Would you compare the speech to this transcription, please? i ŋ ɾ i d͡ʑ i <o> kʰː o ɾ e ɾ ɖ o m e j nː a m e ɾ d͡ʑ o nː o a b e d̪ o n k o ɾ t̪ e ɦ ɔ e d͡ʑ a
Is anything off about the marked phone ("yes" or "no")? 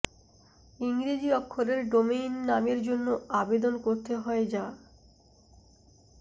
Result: yes